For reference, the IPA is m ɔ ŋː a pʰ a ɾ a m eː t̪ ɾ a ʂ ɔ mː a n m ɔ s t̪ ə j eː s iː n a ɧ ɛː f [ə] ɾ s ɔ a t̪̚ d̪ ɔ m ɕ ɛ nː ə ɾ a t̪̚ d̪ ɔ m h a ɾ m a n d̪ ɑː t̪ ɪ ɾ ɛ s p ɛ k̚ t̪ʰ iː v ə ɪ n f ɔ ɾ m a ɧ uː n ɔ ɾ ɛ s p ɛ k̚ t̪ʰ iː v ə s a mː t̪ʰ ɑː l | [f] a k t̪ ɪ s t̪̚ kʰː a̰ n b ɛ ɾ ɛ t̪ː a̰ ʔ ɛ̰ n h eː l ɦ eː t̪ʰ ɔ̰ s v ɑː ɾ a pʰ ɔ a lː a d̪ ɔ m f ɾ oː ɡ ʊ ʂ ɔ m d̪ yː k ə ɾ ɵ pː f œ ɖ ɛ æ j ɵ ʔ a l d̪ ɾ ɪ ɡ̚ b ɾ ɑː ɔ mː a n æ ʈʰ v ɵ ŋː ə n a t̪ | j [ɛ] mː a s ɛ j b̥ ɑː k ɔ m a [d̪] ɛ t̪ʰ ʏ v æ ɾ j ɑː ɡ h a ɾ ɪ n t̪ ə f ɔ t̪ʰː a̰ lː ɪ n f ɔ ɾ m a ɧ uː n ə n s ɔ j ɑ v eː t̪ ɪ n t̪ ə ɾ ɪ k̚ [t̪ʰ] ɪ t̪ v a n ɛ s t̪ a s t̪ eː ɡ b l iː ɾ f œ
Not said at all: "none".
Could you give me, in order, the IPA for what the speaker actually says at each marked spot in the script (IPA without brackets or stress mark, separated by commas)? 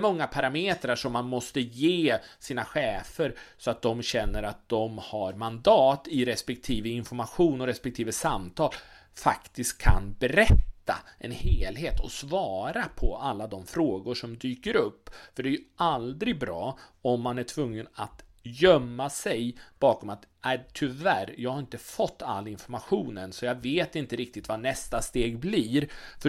ə, f, œ, t̪, t̪